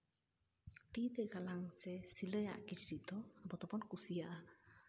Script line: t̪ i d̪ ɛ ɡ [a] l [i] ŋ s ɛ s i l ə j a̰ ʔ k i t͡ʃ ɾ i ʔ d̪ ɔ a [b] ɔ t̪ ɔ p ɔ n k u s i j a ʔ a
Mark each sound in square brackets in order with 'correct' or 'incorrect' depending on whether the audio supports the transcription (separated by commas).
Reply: correct, incorrect, correct